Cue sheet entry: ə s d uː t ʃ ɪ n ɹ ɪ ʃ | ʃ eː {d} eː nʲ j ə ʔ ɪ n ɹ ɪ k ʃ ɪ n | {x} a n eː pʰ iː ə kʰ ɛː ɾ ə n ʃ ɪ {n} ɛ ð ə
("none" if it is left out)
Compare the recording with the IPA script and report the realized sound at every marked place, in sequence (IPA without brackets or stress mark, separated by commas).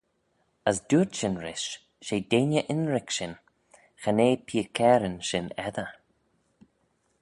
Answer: d, x, n